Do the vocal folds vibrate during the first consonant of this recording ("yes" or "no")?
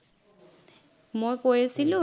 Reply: yes